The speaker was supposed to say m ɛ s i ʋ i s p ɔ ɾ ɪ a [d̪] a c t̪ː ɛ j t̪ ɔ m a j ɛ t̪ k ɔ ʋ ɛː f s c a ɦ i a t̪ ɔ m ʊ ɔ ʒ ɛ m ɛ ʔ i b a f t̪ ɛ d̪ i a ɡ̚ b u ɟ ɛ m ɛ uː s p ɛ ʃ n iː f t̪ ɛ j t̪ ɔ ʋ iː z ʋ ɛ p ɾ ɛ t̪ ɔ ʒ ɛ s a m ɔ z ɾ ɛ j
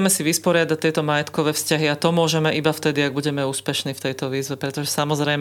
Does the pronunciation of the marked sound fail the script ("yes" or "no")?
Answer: no